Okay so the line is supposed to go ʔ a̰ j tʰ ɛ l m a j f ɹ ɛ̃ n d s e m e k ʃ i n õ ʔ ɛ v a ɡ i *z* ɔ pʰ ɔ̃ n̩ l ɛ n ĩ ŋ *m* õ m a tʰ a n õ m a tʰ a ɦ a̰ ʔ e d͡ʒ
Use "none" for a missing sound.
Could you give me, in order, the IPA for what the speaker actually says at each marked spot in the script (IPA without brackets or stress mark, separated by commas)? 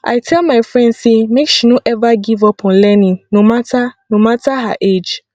v, n